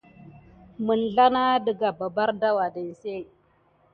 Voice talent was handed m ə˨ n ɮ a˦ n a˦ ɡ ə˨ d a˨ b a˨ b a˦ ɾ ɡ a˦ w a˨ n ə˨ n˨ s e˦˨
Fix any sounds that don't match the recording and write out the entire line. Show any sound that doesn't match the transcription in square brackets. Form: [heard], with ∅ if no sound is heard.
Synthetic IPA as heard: m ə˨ n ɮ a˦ n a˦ [d] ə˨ [ɡ] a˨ b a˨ b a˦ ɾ [d] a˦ w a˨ [d] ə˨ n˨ s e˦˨